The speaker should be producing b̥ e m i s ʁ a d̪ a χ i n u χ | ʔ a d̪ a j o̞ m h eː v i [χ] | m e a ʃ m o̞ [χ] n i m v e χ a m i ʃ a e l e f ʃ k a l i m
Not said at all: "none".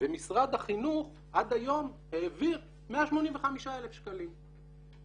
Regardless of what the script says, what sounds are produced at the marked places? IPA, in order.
ʁ, none

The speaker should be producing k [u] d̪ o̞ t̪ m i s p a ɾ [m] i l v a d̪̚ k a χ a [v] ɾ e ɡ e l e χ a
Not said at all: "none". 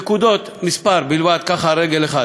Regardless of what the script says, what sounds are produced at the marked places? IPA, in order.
u, b, none

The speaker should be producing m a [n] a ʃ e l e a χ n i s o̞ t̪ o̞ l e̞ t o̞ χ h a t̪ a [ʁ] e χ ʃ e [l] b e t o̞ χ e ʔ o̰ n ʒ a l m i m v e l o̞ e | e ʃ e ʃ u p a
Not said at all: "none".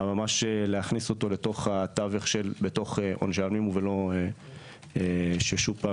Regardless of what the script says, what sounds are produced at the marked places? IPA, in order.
m, v, l

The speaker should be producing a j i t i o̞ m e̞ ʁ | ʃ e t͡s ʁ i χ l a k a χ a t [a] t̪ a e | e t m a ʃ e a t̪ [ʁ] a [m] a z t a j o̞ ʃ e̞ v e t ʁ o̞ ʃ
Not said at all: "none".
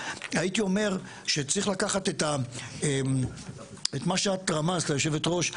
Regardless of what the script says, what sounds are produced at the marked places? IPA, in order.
e, ʁ, m

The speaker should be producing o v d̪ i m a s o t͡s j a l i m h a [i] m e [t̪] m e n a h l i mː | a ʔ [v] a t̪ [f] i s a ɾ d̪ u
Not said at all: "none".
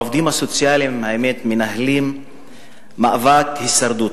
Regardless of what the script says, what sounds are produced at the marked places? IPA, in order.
e, t̪, v, h

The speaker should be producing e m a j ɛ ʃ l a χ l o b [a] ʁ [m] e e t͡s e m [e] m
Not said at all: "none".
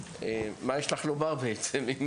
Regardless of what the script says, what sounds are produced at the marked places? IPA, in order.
a, b, i

